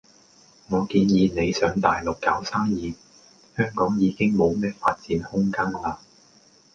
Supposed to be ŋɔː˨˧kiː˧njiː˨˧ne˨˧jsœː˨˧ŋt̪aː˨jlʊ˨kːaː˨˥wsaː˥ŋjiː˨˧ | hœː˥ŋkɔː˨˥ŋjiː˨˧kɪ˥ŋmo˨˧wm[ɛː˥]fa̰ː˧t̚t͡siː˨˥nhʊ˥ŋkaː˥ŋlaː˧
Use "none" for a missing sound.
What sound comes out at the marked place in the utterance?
ɛː˥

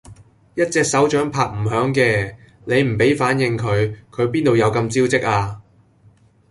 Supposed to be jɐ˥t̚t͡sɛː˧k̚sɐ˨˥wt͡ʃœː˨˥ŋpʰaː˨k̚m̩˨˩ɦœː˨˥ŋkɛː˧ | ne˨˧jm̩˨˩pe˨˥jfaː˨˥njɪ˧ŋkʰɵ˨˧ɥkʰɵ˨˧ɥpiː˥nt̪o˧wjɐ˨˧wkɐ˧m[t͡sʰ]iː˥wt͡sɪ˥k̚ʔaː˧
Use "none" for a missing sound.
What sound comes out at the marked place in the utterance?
t͡s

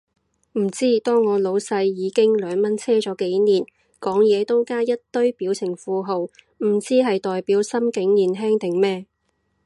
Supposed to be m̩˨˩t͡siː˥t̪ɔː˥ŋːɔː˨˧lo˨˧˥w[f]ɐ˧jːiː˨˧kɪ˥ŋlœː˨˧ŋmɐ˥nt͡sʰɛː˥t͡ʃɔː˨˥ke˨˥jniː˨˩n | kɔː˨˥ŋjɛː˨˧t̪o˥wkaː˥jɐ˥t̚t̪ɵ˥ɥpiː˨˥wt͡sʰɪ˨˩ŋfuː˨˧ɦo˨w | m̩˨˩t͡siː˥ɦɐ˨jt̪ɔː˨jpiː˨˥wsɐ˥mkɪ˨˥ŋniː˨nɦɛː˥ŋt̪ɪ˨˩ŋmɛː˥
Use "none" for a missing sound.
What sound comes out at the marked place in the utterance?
s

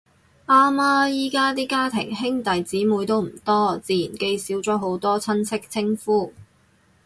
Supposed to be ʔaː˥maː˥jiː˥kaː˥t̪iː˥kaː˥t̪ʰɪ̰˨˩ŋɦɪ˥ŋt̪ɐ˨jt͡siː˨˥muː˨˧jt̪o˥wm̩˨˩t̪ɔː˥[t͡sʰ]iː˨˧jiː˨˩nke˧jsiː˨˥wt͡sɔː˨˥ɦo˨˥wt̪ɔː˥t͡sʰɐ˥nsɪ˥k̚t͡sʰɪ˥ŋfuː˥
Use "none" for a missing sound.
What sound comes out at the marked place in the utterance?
t͡s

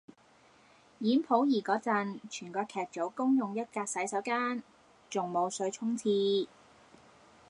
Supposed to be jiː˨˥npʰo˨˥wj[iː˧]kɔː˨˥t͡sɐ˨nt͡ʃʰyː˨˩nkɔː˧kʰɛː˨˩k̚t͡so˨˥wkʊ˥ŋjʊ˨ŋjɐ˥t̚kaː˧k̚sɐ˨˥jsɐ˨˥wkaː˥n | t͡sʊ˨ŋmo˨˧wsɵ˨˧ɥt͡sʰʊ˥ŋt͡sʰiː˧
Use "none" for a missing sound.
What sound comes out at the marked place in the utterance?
iː˨˩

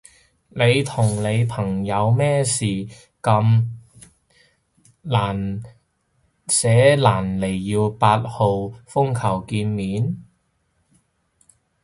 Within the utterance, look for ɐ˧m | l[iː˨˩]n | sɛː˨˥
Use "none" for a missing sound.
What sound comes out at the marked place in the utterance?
aː˨˩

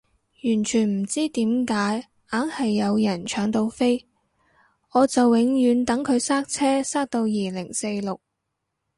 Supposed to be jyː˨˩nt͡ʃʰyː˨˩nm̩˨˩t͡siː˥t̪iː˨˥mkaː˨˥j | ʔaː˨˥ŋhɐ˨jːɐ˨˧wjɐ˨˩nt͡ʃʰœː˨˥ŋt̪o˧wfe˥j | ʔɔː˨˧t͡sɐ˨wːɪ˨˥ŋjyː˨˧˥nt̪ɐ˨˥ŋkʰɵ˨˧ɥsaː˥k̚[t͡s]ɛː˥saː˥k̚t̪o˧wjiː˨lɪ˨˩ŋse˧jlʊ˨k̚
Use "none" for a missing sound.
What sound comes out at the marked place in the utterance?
t͡sʰ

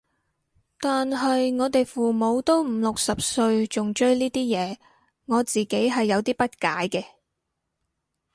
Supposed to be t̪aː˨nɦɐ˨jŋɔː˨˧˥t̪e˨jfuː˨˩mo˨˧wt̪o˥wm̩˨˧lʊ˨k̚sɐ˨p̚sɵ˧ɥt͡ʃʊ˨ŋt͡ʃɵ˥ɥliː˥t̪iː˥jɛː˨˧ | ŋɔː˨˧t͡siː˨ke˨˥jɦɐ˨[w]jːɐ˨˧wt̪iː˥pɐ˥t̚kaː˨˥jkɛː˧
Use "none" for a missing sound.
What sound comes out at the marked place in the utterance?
none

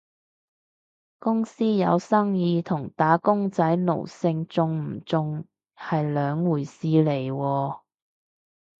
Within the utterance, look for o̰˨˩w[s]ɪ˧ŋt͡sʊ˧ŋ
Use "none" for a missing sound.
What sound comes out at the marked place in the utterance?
s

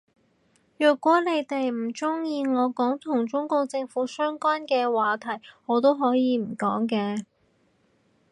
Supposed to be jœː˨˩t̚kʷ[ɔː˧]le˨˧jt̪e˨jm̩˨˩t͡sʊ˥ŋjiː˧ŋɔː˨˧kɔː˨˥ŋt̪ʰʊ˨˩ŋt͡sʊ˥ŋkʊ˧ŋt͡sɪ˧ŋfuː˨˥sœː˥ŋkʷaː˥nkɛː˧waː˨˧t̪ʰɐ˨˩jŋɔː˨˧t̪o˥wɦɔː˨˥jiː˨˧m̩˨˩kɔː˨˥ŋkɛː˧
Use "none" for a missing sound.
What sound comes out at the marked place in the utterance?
ɔː˨˥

